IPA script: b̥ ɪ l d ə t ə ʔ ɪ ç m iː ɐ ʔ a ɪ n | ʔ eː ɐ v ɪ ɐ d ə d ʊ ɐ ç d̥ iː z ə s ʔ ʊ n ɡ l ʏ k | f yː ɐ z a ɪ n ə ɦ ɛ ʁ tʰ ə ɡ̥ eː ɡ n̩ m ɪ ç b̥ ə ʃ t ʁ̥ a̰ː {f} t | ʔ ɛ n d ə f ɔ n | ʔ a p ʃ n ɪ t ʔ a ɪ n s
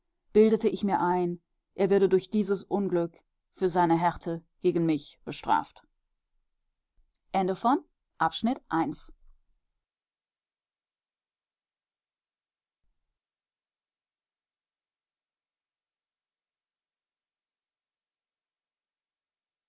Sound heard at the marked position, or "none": f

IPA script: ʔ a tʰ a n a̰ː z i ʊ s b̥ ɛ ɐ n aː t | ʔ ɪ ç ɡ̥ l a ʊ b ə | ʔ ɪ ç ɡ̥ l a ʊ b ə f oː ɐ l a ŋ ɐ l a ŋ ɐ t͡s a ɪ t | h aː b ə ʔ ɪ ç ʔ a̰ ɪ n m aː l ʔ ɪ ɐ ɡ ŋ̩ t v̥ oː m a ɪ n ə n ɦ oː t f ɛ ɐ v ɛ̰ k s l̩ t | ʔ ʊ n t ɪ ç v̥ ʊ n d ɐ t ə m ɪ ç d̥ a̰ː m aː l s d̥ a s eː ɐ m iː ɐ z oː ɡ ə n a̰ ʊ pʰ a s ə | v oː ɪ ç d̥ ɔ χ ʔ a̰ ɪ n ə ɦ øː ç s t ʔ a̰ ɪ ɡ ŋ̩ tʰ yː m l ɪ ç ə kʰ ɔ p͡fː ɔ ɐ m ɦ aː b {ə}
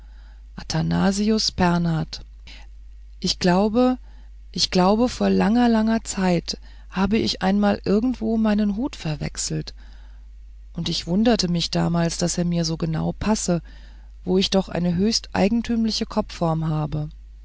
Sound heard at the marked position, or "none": ə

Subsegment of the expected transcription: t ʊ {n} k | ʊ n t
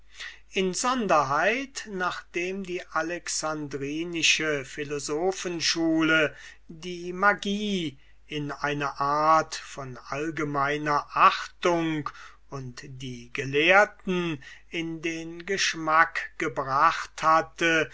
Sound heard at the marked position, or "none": ŋ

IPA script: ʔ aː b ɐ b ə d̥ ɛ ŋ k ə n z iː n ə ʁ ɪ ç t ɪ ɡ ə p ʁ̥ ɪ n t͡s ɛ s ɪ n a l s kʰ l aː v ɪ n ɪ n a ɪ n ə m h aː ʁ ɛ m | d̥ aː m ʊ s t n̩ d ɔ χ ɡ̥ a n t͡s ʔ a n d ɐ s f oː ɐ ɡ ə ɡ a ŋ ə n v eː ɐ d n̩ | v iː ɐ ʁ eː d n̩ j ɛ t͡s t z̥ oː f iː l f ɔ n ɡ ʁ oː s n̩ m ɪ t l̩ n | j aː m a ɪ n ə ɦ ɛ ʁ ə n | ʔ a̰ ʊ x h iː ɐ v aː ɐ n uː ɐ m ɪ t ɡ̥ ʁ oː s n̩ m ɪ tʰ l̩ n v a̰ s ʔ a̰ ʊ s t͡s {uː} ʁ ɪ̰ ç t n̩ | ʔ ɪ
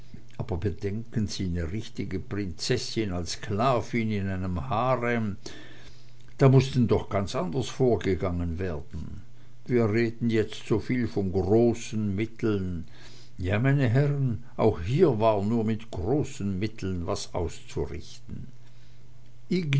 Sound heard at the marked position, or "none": u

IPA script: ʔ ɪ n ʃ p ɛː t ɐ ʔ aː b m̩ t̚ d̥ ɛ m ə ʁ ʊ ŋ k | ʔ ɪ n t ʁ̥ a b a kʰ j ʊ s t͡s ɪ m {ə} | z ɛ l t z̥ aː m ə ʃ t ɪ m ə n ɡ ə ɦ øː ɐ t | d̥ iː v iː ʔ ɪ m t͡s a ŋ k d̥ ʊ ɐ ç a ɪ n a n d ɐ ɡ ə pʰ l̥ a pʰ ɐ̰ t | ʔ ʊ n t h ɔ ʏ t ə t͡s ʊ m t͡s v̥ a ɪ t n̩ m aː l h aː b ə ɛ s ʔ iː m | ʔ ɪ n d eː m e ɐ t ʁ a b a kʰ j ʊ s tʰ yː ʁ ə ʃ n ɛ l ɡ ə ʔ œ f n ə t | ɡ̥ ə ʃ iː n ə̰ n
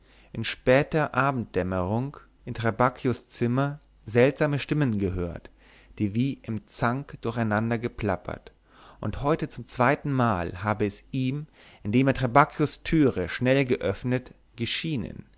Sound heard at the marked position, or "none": ɐ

